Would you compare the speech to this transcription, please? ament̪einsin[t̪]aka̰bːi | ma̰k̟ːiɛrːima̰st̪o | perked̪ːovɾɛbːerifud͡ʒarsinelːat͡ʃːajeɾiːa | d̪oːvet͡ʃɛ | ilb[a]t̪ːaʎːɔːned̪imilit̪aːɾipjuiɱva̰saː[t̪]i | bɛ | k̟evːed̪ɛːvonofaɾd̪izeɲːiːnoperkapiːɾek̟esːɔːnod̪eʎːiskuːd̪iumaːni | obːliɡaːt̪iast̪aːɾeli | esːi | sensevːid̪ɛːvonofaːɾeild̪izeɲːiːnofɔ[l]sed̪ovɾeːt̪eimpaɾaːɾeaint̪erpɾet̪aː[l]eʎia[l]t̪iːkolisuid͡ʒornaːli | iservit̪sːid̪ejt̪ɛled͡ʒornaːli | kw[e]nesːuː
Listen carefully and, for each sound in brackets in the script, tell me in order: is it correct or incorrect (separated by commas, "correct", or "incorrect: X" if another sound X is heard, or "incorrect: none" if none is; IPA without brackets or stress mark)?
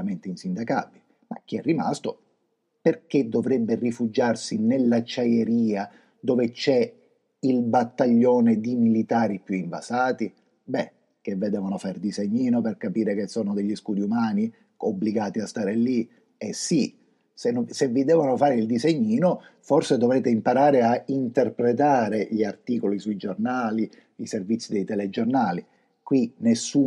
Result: incorrect: d̪, correct, correct, incorrect: r, incorrect: ɾ, incorrect: r, incorrect: i